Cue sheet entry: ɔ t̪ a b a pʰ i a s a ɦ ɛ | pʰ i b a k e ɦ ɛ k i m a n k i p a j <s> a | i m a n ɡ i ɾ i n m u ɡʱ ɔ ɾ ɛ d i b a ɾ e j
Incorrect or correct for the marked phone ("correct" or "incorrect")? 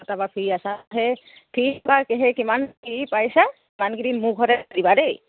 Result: correct